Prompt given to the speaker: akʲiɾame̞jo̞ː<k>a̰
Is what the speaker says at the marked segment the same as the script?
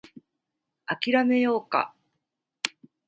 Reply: yes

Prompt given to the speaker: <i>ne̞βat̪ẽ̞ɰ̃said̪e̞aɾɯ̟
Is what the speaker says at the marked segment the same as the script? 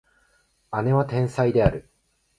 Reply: no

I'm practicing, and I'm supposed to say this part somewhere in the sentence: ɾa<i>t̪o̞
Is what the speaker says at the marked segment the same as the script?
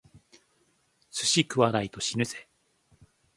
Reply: yes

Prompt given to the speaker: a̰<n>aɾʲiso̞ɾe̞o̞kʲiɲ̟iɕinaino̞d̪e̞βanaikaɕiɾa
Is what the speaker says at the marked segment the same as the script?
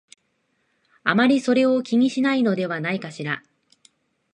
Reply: no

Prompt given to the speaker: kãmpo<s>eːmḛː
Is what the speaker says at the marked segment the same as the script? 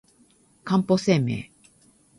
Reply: yes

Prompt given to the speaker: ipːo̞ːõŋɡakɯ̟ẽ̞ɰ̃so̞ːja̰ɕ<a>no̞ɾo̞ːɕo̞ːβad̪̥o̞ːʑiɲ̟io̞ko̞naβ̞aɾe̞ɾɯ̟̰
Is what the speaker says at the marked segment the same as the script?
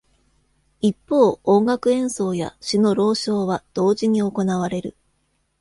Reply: no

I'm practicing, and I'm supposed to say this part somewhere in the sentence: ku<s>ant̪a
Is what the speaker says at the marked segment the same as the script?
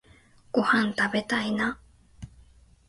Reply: no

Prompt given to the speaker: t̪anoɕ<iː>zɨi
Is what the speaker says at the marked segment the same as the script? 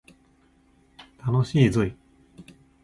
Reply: yes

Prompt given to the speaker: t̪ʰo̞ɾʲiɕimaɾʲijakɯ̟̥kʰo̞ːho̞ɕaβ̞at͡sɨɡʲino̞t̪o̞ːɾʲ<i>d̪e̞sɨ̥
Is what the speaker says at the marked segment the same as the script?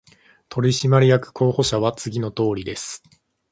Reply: yes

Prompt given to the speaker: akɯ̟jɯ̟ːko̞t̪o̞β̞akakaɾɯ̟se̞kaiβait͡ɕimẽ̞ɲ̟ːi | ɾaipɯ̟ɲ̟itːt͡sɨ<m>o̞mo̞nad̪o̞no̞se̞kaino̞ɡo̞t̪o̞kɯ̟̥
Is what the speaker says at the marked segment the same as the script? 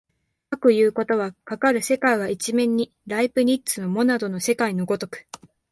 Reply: no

